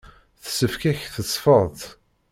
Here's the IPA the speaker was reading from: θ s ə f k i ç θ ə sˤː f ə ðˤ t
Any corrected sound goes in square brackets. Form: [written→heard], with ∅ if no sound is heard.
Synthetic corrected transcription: θ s ə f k [i→æ] ç θ ə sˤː f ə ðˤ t